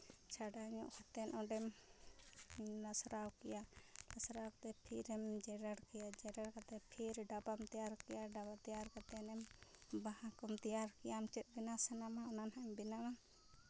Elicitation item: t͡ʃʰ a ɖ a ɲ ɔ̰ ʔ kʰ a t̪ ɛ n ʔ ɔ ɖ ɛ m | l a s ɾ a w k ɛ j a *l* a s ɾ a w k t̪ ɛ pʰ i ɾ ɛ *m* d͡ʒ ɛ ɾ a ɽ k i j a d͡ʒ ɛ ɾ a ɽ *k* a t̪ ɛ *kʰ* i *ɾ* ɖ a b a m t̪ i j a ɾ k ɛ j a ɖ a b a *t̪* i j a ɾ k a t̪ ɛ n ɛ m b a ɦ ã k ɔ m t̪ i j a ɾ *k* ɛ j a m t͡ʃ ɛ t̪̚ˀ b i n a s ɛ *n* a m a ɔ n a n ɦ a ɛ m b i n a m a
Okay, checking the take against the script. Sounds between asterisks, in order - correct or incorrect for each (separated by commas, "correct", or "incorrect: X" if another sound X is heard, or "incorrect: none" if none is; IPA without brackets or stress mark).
correct, correct, correct, incorrect: pʰ, correct, correct, correct, correct